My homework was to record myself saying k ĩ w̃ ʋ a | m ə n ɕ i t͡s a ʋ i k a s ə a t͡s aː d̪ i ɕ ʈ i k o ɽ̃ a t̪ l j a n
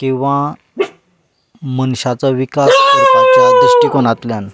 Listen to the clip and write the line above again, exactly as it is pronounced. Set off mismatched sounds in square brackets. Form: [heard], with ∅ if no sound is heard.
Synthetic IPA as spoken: k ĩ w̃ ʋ a | m ə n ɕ [a] t͡s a ʋ i k a s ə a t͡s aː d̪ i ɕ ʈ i k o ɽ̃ a t̪ l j a n